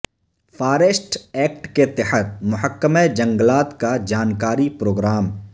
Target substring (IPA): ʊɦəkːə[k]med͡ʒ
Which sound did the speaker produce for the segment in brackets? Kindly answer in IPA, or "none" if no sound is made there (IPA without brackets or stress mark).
none